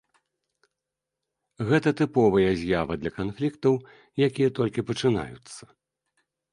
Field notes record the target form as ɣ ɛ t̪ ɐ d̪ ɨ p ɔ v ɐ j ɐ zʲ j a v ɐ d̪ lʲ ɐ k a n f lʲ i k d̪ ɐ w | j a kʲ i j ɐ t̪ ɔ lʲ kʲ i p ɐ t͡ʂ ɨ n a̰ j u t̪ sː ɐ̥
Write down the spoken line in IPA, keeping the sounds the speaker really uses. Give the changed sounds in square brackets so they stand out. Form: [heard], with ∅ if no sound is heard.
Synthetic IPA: ɣ ɛ t̪ ɐ [t̪] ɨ p ɔ v ɐ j ɐ zʲ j a v ɐ d̪ lʲ ɐ k a n f lʲ i k [t̪] ɐ w | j a kʲ i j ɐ t̪ ɔ lʲ kʲ i p ɐ t͡ʂ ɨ n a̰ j u t̪ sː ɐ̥